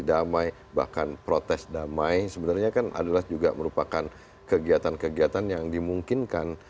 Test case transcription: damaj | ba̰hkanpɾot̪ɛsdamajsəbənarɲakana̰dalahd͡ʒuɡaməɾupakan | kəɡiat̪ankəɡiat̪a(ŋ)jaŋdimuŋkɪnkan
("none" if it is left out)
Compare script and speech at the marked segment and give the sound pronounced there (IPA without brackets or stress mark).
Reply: n